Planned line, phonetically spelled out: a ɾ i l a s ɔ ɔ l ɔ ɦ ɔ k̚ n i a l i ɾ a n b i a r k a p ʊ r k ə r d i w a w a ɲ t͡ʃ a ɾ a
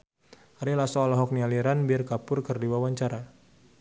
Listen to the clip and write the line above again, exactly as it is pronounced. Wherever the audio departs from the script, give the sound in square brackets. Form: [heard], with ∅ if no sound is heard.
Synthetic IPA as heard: a ɾ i l a s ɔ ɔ l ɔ ɦ ɔ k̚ n i a l i ɾ a n b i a r k a p ʊ r k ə r d i w a w a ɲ t͡ʃ a ɾ a